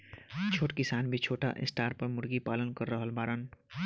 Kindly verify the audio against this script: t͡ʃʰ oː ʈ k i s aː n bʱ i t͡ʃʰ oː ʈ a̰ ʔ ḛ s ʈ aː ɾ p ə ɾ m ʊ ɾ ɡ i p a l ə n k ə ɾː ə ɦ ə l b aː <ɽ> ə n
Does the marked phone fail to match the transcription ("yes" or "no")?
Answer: yes